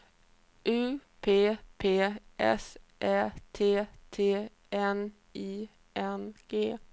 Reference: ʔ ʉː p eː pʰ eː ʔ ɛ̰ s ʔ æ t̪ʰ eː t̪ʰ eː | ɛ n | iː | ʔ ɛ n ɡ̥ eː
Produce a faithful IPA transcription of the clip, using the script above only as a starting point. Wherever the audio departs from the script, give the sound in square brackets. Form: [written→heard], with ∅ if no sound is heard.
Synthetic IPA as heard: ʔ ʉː [p→pʰ] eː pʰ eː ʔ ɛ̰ s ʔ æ t̪ʰ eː t̪ʰ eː | ɛ n | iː | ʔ ɛ n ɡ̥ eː